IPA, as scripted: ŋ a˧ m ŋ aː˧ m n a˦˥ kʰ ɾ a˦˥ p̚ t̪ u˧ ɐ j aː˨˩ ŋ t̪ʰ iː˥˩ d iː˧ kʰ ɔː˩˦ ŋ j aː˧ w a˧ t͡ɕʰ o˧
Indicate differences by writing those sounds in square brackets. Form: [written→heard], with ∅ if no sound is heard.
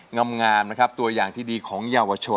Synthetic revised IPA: ŋ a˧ m ŋ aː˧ m n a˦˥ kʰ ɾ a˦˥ p̚ t̪ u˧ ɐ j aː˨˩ ŋ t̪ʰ iː˥˩ d iː˧ kʰ ɔː˩˦ ŋ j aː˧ w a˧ t͡ɕʰ o˧